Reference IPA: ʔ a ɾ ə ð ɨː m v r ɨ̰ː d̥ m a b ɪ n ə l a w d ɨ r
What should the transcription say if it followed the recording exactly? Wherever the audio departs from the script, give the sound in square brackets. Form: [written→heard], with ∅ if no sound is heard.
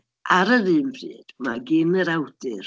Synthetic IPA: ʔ a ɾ ə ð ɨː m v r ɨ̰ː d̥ m a [b→ɡ] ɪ n ə [l→ɾ] a w d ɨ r